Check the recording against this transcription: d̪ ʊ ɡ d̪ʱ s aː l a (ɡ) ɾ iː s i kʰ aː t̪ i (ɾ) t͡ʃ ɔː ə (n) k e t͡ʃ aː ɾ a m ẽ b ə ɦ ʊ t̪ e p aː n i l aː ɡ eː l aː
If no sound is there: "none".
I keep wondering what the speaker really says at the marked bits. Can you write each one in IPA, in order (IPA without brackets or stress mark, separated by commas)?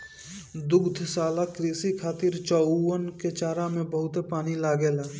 k, ɾ, n